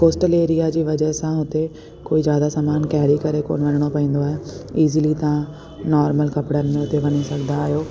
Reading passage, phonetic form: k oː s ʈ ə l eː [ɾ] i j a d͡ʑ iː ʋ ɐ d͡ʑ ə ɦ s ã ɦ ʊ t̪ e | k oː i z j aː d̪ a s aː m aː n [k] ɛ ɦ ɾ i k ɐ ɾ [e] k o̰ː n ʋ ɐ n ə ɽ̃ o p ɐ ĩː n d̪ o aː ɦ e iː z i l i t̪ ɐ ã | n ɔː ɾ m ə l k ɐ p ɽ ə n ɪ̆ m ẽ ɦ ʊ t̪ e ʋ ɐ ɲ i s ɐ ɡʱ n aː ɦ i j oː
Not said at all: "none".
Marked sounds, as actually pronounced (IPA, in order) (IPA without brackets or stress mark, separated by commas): ɾ, k, e